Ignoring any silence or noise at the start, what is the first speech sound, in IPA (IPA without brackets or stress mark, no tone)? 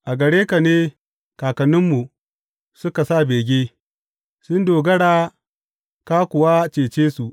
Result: ʔ